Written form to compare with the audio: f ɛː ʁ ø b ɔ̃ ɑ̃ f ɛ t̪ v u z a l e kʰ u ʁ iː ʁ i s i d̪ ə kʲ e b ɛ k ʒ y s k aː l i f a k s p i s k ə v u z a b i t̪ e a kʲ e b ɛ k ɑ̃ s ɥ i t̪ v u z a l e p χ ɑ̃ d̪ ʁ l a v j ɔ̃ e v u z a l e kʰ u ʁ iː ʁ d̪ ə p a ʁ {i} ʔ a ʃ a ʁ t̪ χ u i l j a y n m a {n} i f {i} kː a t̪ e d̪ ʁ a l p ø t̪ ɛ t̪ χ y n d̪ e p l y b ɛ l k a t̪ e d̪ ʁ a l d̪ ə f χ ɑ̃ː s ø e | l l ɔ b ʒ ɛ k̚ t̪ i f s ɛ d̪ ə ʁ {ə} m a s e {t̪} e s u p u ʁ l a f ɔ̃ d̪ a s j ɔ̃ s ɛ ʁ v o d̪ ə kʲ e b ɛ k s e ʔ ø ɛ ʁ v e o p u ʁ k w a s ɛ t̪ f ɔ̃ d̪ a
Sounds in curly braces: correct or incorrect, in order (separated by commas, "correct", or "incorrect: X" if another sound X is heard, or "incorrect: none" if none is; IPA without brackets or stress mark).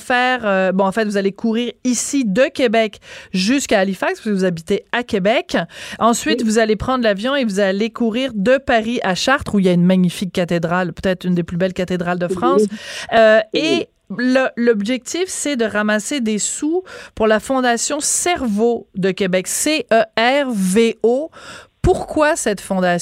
correct, incorrect: ɲ, correct, incorrect: a, incorrect: d̪